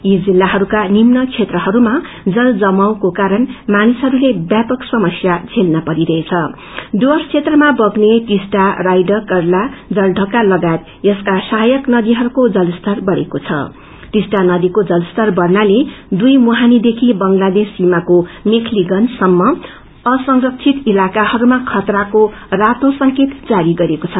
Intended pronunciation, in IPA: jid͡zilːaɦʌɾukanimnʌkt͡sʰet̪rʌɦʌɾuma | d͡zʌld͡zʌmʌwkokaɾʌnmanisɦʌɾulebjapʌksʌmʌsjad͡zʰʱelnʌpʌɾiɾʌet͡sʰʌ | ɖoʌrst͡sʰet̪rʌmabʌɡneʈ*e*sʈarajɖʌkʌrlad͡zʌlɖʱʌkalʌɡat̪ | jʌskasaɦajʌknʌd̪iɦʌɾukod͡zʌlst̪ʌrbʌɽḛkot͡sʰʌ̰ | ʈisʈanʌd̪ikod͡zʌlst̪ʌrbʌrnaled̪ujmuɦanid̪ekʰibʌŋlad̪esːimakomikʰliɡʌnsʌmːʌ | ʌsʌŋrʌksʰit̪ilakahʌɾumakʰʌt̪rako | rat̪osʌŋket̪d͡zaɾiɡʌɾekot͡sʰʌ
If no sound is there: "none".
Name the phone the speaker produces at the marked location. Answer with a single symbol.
i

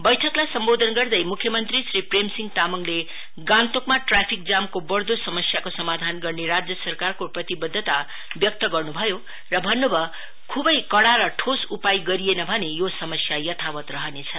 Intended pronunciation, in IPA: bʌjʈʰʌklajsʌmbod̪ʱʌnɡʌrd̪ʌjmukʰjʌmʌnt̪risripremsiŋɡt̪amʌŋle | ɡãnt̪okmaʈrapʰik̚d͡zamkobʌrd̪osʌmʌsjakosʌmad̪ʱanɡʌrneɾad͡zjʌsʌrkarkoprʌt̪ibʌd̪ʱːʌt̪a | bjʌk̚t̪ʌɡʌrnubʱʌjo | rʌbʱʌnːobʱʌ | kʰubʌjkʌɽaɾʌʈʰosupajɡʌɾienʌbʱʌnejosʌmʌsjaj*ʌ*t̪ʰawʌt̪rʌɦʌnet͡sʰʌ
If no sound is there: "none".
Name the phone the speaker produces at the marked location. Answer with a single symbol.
ʌ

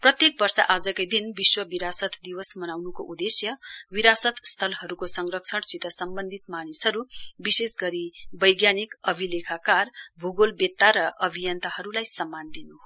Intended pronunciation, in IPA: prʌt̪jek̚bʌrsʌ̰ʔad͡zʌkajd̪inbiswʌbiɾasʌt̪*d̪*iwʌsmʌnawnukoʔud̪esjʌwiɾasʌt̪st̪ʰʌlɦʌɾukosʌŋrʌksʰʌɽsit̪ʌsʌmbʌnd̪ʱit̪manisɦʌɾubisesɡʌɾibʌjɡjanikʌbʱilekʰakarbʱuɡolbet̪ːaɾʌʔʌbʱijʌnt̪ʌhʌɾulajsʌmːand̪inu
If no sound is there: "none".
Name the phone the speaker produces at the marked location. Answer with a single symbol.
d̪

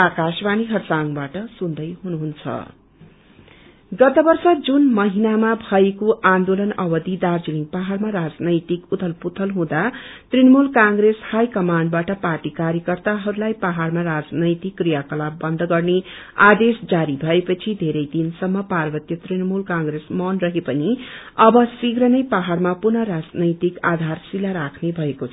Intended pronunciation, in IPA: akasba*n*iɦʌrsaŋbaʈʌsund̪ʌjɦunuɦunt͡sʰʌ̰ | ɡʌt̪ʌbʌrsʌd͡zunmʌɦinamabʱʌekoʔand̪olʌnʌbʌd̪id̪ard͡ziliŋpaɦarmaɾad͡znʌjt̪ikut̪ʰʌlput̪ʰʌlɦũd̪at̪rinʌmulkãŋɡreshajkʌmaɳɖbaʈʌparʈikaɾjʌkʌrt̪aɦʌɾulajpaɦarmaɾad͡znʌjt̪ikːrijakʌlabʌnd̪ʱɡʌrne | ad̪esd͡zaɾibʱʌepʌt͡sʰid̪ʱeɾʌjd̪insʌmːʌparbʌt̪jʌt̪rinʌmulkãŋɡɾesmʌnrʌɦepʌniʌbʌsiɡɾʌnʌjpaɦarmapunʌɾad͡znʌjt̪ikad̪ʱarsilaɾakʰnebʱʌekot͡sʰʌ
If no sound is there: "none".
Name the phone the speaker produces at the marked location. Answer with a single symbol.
n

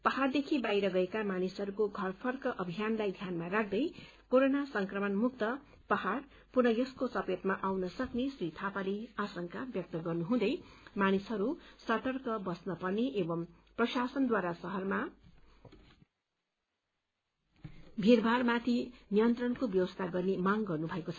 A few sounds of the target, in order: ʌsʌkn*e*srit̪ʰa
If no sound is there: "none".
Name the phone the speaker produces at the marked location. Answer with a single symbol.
e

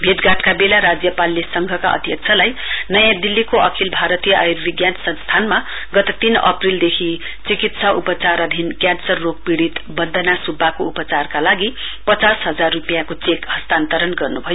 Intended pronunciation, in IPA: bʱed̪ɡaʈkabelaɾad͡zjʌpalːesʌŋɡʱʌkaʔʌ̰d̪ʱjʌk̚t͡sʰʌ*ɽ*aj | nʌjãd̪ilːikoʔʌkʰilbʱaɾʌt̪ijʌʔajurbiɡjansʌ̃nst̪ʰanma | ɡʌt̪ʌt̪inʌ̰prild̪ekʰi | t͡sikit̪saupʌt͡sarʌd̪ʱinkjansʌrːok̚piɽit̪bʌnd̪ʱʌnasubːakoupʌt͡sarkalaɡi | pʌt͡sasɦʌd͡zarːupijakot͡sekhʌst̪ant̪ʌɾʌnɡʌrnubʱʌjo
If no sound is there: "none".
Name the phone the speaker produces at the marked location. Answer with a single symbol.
l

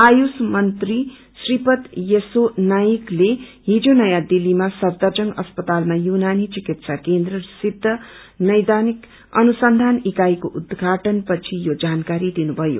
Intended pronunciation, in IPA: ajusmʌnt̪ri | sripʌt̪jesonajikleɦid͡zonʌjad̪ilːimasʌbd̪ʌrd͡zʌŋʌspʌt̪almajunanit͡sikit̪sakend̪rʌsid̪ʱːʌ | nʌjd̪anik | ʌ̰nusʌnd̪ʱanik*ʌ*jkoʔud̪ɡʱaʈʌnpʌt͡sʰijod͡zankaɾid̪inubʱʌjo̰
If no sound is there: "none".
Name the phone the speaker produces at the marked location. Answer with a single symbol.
a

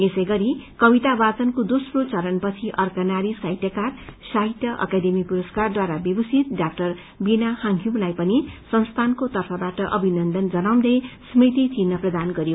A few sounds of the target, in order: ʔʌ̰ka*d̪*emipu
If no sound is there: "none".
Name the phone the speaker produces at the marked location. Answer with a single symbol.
d̪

